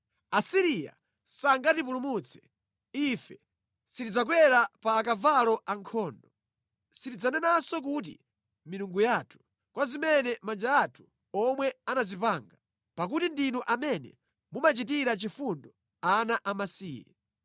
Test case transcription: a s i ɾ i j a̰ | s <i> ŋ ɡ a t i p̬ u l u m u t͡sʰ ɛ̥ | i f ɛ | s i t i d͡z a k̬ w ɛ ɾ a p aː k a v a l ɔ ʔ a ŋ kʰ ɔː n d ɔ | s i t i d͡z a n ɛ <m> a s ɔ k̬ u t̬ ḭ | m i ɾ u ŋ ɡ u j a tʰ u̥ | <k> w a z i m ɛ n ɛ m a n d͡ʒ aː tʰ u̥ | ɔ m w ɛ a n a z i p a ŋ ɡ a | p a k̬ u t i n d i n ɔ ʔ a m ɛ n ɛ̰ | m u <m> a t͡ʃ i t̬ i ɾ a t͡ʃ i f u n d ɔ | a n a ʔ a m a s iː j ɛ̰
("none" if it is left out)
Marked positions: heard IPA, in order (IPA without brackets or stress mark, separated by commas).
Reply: a, n, k, m